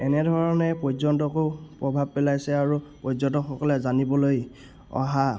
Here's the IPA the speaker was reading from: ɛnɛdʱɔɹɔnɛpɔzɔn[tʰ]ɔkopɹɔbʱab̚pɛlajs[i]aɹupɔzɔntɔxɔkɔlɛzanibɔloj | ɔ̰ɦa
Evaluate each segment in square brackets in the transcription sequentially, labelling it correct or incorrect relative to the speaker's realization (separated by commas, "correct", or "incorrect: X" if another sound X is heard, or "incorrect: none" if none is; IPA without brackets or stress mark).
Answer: incorrect: t, incorrect: ɛ